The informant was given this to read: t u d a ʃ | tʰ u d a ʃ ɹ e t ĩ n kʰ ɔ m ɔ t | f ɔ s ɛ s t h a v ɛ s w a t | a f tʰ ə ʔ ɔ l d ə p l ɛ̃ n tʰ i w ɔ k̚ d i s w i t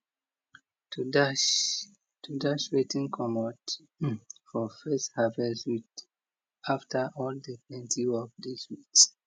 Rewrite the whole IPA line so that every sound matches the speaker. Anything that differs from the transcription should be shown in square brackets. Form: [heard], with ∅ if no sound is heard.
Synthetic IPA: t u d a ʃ | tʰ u d a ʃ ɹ e t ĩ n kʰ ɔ m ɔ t | f ɔ [f] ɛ s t h a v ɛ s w [i] t | a f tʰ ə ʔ ɔ l d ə p l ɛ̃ n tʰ i w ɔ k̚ d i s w i t